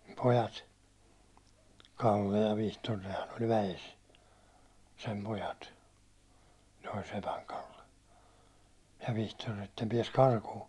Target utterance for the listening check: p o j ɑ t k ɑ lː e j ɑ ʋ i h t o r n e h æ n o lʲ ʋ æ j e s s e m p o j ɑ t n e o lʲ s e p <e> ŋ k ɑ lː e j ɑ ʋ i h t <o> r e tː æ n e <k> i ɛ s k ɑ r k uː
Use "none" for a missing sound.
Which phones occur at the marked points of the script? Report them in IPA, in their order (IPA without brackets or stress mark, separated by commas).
æ, o, p